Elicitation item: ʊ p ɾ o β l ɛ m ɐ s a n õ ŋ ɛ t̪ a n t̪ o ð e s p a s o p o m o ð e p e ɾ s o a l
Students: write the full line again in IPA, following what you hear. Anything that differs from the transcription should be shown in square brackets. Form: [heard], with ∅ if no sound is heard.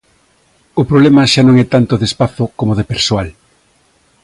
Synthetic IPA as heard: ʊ p ɾ o β l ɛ m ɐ [ʃ] a n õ ŋ ɛ t̪ a n t̪ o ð e s p a [θ] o [k] o m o ð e p e ɾ s o a l